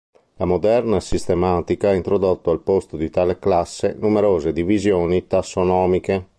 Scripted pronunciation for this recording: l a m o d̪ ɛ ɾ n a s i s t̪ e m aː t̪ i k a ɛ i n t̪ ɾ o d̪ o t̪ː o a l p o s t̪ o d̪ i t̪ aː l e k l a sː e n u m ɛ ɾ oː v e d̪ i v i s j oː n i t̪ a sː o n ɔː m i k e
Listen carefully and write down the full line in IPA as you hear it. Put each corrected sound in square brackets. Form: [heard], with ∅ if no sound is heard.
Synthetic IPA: l a m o d̪ ɛ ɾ n a s i s t̪ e m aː t̪ i k a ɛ i n t̪ ɾ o d̪ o t̪ː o a l p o s t̪ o d̪ i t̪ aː l e k l a sː e n u m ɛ ɾ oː [z] e d̪ i v i [z] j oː n i t̪ a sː o n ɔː m i k e